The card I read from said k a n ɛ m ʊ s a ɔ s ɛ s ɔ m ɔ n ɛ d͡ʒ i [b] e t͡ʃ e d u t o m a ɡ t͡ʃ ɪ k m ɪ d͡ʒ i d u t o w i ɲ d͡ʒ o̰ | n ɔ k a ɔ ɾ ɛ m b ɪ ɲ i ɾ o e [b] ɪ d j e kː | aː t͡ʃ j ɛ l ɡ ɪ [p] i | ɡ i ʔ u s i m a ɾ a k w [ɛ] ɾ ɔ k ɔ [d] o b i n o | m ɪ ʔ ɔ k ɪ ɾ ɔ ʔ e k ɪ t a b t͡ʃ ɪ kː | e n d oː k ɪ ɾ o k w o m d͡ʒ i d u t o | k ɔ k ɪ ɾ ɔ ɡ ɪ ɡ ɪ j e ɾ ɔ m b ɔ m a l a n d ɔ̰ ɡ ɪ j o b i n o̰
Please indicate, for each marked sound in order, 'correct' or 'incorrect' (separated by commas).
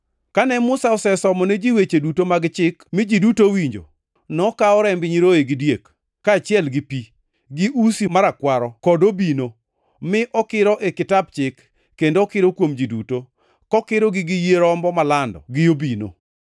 incorrect, incorrect, correct, incorrect, correct